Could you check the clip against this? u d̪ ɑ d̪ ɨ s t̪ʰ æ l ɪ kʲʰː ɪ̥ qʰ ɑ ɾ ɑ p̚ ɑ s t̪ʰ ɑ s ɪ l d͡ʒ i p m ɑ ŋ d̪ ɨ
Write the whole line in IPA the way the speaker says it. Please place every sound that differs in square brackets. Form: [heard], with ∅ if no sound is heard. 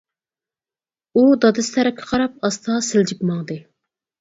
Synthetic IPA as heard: u d̪ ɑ d̪ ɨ s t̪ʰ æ [ɾ] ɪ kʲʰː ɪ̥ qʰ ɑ ɾ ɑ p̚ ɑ s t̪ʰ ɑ s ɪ l d͡ʒ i p m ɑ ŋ d̪ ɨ